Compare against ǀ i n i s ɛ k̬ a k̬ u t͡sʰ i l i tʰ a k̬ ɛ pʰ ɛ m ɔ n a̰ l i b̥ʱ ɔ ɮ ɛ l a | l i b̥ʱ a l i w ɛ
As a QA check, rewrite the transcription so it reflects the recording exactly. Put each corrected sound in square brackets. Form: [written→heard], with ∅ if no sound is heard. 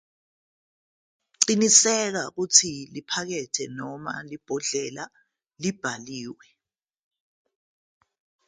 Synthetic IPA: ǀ i n i s ɛ k̬ a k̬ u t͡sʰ i l i [tʰ→pʰ] a k̬ ɛ [pʰ→tʰ] ɛ [m→n] ɔ [n→m] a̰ l i b̥ʱ ɔ ɮ ɛ l a | l i b̥ʱ a l [i→iː] w ɛ